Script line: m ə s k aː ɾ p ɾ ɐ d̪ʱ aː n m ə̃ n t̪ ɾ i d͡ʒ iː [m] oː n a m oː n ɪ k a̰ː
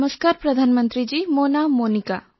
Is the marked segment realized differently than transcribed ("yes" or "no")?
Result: no